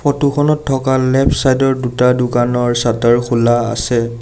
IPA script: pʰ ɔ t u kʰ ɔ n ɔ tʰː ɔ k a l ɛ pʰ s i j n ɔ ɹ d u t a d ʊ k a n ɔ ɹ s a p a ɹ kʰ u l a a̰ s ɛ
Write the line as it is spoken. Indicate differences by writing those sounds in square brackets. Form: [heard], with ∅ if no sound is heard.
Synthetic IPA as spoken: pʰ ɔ t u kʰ ɔ n ɔ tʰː ɔ k a l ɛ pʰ s [a] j [d] ɔ ɹ d u t a d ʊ k a n ɔ ɹ s a [t] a ɹ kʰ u l a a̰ s ɛ

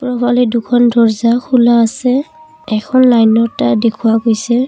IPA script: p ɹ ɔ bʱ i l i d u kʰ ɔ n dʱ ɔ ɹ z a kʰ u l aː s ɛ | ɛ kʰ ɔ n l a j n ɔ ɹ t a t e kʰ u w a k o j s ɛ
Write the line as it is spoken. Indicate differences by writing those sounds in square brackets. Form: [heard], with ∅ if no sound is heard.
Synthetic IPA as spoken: p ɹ ɔ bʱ [a] l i d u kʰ ɔ n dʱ ɔ ɹ z a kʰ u l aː s ɛ | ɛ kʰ ɔ n l a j n ɔ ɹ t a [d] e kʰ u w a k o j s ɛ

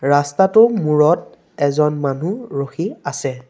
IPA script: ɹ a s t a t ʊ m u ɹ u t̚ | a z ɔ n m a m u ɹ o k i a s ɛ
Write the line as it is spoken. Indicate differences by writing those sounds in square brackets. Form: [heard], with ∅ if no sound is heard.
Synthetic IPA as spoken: ɹ a s t a t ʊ m u ɹ [ɔ] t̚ | [ɛ] z ɔ n m a [n] u ɹ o [x] i a s ɛ

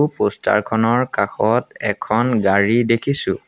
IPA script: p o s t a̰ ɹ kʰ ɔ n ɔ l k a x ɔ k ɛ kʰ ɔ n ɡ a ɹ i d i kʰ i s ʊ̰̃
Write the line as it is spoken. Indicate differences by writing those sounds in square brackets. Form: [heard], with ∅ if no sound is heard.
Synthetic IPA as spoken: p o s t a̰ ɹ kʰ ɔ n ɔ [ɹ] k a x ɔ [t] ɛ kʰ ɔ n ɡ a ɹ i d [e] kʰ i s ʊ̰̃

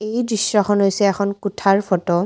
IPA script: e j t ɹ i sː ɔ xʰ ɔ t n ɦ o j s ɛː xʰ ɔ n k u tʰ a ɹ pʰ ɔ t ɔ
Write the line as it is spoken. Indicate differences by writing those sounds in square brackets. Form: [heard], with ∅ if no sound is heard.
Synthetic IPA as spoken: e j [d] ɹ i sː ɔ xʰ ɔ [∅] n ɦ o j s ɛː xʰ ɔ n k u tʰ a ɹ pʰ ɔ t ɔ

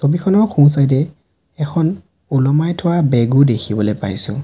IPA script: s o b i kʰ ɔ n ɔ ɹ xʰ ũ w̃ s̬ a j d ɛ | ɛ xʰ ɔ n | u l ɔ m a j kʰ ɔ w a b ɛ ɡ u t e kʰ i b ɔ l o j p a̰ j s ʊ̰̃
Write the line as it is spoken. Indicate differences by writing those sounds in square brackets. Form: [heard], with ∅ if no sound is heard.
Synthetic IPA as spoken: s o b i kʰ ɔ n ɔ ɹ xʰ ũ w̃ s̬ a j d ɛ | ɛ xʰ ɔ n | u l ɔ m a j [tʰ] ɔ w a b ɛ ɡ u [d] e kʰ i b ɔ l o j p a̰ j s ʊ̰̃

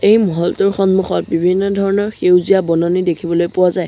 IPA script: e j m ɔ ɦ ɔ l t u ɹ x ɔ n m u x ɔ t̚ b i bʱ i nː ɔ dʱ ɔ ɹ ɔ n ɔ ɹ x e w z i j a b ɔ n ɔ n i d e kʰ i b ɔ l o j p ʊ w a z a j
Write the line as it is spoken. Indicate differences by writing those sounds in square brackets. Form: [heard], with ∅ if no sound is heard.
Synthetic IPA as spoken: e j m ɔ ɦ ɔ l t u ɹ x ɔ n m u x ɔ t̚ b i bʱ i nː ɔ dʱ ɔ ɹ ɔ n ɔ ɹ x e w z i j a b ɔ n ɔ n i d e kʰ i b ɔ l o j p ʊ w a z a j

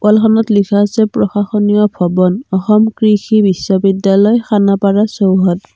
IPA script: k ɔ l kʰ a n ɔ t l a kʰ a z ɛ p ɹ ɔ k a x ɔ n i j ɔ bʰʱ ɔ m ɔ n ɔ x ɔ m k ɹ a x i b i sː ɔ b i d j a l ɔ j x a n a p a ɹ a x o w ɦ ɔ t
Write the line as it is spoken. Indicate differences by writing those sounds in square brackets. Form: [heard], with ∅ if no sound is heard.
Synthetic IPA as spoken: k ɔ l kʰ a n ɔ t l [i] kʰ a [s] ɛ p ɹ ɔ [x] a x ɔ n i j ɔ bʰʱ ɔ [b] ɔ n ɔ x ɔ m k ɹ [i] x i b i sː ɔ b i d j a l ɔ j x a n a p a ɹ a [s] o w ɦ ɔ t

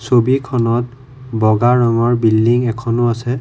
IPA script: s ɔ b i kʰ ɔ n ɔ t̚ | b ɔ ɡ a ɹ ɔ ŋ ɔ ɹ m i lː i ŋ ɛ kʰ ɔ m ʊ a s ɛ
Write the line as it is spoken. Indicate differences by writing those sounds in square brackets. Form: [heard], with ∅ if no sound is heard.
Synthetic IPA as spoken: s [o] b i kʰ ɔ n ɔ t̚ | b ɔ ɡ a ɹ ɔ ŋ ɔ ɹ [b] i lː i ŋ ɛ kʰ ɔ [n] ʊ a s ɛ

